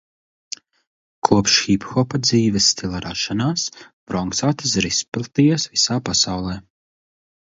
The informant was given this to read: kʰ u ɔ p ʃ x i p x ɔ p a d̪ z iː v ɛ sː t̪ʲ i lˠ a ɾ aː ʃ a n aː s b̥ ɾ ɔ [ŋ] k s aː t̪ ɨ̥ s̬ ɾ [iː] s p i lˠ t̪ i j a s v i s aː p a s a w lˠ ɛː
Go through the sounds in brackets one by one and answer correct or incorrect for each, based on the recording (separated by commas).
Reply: correct, incorrect